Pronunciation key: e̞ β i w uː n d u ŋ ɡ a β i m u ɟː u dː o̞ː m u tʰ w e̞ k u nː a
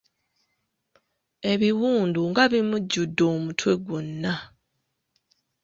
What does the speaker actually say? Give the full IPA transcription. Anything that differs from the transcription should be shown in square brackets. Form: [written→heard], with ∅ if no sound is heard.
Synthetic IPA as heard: e̞ β i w uː n d u ŋ ɡ a β i m u ɟː u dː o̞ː m u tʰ w e̞ [k→ɡ] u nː a